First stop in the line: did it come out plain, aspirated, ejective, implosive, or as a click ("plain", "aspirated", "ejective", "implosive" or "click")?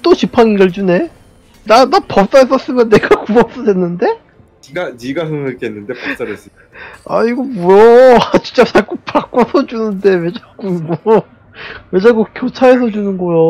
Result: plain